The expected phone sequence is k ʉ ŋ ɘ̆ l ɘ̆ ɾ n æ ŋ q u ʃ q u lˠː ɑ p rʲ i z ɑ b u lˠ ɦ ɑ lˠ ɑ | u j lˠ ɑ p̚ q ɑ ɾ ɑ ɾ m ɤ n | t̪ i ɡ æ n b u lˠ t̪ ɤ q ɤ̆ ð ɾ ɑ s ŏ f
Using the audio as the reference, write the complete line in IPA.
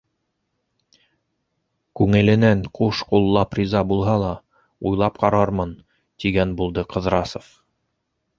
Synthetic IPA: k ʉ ŋ ɘ̆ l ɘ̆ n æ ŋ q u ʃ q u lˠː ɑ p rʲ i z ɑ b u lˠ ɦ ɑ lˠ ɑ | u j lˠ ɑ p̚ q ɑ ɾ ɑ ɾ m ɤ n | t̪ i ɡ æ n b u lˠ d̪ ɤ q ɤ̆ ð ɾ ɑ s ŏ f